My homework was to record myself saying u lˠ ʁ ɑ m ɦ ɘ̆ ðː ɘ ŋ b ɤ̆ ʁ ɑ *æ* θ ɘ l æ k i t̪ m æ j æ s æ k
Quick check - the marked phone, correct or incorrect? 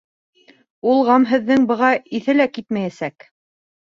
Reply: incorrect